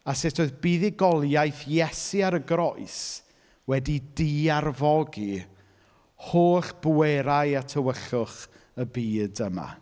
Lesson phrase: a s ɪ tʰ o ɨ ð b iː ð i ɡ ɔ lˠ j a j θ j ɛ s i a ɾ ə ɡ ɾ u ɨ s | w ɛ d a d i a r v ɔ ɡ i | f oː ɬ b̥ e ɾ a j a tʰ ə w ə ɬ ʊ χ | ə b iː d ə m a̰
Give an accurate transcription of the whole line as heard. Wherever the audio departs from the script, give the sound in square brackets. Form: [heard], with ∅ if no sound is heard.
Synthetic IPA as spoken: a s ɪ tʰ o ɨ ð b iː ð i ɡ ɔ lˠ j a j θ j ɛ s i a ɾ ə ɡ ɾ [ɔ] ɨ s | w ɛ d [i] d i a r v ɔ ɡ i | [h] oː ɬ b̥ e ɾ a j a tʰ ə w ə ɬ ʊ χ | ə b iː d ə m a̰